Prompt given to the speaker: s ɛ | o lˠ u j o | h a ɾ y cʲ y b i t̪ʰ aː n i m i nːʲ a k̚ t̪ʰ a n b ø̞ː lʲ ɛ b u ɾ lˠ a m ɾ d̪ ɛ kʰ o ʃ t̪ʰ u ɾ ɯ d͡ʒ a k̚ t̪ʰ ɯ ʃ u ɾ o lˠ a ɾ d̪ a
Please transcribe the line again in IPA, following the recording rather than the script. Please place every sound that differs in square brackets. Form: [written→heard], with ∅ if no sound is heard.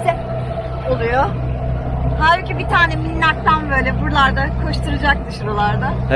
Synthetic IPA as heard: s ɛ | o lˠ u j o | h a ɾ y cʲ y b i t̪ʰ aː n [i→ɛ] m i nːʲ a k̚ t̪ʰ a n b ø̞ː lʲ ɛ b u ɾ lˠ a [m→∅] ɾ d̪ [ɛ→a] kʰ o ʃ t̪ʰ u ɾ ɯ d͡ʒ a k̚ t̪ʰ ɯ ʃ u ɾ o lˠ a ɾ d̪ a